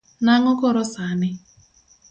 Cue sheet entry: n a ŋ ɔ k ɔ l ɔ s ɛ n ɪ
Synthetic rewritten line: n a ŋ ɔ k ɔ ɾ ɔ s a n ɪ